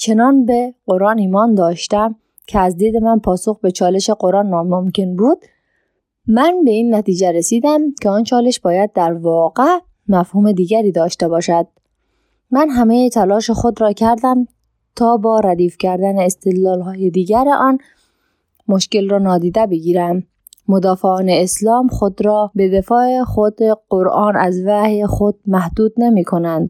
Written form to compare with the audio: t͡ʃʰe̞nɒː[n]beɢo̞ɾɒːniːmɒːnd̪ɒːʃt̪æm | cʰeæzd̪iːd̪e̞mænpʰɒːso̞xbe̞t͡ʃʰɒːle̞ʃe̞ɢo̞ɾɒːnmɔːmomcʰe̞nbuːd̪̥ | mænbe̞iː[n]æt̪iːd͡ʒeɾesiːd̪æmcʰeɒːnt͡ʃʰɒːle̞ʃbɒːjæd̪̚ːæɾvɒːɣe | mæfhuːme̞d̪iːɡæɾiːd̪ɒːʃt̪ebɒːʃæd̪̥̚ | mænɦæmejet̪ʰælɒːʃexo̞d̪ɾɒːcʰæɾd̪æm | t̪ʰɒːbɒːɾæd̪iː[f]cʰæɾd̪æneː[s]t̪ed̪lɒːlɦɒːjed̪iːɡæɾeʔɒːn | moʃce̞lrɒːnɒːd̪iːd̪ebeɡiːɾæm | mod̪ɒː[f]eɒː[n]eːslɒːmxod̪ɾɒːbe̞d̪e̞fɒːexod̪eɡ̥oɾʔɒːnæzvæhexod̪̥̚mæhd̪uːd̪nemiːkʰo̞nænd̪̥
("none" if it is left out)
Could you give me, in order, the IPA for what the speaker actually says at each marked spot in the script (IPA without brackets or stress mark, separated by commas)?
n, nː, f, s, f, n